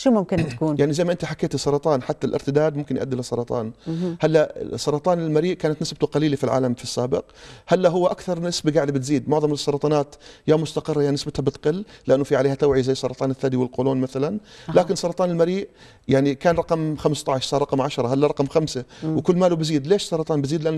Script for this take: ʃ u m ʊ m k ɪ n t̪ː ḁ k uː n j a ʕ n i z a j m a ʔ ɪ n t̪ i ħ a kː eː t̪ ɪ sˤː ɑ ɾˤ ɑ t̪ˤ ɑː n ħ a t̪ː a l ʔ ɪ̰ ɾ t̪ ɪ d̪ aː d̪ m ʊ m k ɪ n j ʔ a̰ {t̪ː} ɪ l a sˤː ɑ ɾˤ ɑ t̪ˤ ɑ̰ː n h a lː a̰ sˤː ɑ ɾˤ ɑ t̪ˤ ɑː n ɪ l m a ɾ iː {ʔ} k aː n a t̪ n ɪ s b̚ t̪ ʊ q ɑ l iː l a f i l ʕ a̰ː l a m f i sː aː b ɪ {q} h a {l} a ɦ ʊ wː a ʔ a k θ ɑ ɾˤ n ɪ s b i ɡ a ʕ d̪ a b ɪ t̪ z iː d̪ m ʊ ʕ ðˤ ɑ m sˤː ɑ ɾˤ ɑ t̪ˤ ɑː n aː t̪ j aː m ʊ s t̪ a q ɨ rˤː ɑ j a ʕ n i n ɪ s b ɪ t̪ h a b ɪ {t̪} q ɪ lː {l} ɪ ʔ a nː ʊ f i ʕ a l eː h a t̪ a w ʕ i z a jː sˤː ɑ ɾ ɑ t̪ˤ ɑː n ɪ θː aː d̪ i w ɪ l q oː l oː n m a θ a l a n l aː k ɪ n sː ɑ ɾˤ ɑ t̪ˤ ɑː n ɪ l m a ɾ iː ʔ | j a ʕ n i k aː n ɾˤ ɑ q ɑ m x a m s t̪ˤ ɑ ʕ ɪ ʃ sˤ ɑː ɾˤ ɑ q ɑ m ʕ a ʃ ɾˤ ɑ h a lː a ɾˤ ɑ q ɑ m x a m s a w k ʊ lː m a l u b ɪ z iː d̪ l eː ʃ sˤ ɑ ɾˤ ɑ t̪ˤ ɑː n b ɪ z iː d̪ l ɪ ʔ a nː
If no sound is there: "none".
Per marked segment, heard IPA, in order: d̪ː, ʔ, q, lː, t̪, l

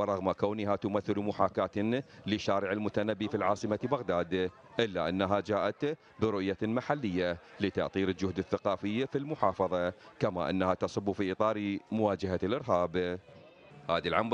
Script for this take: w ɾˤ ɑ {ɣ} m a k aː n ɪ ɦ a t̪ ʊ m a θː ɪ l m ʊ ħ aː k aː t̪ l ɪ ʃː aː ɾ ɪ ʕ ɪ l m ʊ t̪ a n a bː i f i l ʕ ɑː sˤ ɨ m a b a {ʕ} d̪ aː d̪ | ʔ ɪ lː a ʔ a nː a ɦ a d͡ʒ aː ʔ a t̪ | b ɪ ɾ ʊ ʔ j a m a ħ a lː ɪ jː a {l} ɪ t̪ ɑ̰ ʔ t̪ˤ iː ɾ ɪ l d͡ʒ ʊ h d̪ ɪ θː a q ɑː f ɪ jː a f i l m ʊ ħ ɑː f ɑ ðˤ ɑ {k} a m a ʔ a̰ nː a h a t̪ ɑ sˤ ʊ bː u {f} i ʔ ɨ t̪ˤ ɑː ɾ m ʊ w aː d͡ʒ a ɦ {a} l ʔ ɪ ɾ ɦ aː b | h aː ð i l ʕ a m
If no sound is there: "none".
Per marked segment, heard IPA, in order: ɣ, ɣ, l, k, f, a

